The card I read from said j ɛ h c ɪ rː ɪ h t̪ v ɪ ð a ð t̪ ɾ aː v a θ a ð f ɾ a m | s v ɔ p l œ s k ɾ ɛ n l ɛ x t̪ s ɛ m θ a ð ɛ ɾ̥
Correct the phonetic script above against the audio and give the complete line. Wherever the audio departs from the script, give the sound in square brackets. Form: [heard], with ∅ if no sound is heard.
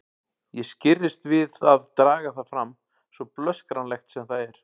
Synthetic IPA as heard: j ɛ [s] c ɪ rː ɪ [s] t̪ v ɪ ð a ð t̪ ɾ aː [ɣ] a θ a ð f ɾ a m | s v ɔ p l œ s k ɾ [a] n l ɛ x t̪ s ɛ m θ a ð ɛ ɾ̥

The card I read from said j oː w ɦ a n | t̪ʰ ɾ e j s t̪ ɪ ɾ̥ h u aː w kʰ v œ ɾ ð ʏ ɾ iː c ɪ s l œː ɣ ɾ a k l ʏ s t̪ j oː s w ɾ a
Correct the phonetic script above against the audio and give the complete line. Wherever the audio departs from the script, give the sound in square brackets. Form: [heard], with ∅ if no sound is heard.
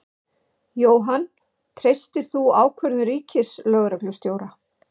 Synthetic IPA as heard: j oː w ɦ a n | t̪ʰ ɾ e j s t̪ ɪ ɾ̥ [θ] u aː w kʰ v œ ɾ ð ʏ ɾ iː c ɪ s l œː ɣ ɾ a k l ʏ s t̪ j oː [∅] w ɾ a

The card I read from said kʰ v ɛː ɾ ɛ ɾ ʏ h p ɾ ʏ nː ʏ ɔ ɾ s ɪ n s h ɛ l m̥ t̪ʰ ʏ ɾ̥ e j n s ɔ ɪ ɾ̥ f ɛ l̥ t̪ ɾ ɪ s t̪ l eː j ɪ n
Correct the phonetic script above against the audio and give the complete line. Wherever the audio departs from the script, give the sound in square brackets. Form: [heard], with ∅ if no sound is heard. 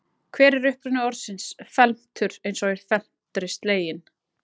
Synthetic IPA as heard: kʰ v ɛː ɾ ɛ ɾ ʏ h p ɾ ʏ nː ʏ ɔ ɾ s ɪ n s [f] ɛ l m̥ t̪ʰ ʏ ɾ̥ e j n s ɔ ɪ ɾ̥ f ɛ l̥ t̪ ɾ ɪ s t̪ l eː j ɪ n

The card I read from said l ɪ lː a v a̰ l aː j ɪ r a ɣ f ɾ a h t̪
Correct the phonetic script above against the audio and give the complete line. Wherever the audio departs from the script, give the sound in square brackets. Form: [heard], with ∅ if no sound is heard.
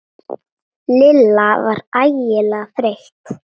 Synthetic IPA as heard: l ɪ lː a v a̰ [ɾ] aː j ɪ [l] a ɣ f ɾ [e] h t̪

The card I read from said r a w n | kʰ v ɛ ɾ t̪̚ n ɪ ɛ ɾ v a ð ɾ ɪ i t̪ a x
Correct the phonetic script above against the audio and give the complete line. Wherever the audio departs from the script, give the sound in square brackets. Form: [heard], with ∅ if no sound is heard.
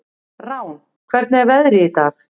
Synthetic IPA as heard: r a w n | kʰ v ɛ ɾ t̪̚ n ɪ ɛ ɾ v [ɛ] ð ɾ ɪ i t̪ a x

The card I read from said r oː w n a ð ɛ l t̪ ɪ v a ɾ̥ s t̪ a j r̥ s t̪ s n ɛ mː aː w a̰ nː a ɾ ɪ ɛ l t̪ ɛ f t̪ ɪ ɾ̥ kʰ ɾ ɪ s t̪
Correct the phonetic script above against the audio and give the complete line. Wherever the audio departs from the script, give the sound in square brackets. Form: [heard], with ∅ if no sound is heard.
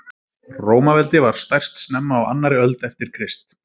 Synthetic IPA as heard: r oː w [m] a [v] ɛ l t̪ ɪ v a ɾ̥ s t̪ a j r̥ s t̪ s n ɛ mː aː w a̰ nː a ɾ ɪ [œ] l t̪ ɛ f t̪ ɪ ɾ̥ kʰ ɾ ɪ s t̪

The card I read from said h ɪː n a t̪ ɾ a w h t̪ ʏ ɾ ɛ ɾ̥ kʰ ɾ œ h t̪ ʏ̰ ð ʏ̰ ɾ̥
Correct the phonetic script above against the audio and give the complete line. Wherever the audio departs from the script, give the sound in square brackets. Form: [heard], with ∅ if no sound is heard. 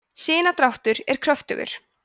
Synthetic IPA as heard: [s] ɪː n a t̪ ɾ a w h t̪ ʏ ɾ ɛ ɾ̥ kʰ ɾ œ [f] t̪ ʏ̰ [ɣ] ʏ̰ ɾ̥

